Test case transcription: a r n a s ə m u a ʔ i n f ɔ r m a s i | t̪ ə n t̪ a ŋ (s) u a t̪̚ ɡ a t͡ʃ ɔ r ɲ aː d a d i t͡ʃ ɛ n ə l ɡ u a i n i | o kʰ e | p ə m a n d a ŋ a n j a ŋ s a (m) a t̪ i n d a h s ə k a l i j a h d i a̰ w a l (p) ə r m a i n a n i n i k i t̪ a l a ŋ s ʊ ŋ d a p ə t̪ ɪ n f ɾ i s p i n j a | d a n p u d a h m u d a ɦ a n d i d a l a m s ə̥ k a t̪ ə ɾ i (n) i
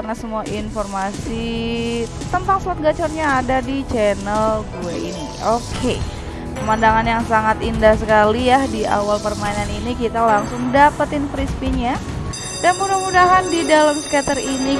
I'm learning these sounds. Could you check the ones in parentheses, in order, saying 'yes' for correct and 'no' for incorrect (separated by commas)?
yes, no, yes, yes